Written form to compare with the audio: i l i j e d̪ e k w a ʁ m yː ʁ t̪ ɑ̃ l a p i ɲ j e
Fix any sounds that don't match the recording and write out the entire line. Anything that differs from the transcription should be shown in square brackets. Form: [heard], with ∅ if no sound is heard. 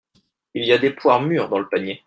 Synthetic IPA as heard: i l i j [a] d̪ e [p] w a ʁ m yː ʁ [d̪] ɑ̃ l [ə] p [a] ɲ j e